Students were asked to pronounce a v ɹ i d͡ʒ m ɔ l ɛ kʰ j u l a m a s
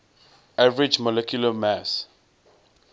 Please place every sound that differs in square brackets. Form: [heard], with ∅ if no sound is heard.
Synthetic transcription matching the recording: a v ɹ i d͡ʒ m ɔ l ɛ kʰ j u l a m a s